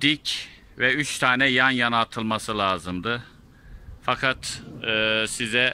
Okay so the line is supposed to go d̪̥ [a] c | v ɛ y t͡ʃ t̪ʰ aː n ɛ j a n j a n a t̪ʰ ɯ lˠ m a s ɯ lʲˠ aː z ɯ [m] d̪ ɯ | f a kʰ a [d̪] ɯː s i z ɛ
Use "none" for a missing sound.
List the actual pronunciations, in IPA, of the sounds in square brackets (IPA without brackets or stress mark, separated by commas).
i, m, t̪